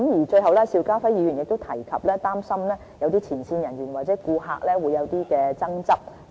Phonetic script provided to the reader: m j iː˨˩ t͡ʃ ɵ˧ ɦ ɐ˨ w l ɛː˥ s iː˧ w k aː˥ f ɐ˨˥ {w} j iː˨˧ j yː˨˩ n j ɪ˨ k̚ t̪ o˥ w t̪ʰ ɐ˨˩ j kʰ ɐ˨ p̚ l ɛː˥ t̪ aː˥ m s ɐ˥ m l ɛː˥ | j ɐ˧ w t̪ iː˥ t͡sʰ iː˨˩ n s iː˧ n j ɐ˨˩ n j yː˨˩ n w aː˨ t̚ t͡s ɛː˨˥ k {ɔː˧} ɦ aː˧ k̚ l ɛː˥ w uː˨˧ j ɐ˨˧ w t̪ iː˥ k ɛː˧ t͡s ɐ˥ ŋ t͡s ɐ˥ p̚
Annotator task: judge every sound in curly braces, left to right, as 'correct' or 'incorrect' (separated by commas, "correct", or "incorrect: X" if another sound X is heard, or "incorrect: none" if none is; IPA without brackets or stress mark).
incorrect: none, incorrect: uː˧